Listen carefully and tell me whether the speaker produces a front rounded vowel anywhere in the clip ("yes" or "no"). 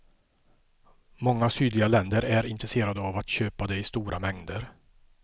yes